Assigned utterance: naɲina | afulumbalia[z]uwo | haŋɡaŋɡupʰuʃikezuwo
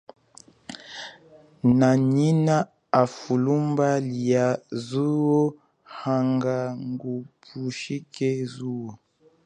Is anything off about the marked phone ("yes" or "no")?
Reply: no